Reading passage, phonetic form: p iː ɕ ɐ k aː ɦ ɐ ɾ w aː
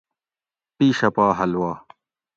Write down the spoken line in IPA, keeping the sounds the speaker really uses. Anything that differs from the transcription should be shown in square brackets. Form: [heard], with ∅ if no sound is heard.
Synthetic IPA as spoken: p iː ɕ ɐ [p] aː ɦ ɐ [l] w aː